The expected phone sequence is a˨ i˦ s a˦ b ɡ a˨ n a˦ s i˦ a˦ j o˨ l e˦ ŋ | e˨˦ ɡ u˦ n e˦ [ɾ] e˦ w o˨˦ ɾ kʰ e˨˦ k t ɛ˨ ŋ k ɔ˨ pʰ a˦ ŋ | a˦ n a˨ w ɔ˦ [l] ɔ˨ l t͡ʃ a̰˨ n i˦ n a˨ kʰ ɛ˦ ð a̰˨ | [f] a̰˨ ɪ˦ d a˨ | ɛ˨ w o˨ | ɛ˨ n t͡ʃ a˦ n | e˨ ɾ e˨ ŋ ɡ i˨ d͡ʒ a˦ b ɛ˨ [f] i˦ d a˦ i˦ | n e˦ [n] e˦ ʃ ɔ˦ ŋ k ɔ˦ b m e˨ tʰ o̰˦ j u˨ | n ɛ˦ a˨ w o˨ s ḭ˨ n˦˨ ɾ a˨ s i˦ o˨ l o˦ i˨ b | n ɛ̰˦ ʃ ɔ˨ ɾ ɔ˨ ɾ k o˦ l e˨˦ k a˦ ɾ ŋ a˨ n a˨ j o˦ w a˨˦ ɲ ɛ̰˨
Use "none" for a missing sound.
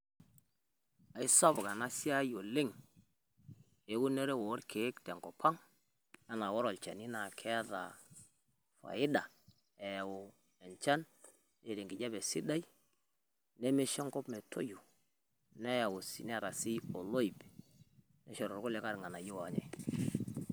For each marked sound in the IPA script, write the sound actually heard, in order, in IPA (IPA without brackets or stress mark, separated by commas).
ɾ, ɾ, f, s, m